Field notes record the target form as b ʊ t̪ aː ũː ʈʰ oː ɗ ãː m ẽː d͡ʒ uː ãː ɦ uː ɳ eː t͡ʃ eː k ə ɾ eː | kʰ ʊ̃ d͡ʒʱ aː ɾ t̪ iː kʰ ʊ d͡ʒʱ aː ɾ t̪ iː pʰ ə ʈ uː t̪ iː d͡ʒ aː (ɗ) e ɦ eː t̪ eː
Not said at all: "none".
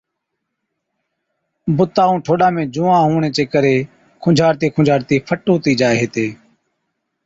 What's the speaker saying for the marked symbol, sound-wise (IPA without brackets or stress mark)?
none